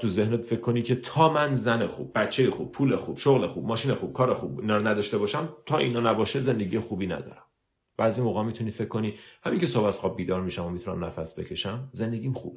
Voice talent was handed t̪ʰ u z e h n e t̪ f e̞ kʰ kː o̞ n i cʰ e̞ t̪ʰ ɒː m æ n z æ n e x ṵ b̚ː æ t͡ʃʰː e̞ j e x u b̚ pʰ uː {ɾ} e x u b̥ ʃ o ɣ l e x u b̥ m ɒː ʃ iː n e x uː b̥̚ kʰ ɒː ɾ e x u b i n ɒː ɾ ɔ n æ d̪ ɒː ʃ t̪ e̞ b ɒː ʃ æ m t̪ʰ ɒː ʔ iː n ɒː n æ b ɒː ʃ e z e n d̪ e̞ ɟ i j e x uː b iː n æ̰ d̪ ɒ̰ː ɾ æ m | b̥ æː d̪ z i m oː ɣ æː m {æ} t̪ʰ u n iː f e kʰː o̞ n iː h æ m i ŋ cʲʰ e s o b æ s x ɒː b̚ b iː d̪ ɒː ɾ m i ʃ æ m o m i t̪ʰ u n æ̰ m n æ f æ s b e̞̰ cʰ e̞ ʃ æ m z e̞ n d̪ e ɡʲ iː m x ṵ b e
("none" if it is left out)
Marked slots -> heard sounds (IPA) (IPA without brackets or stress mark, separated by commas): l, i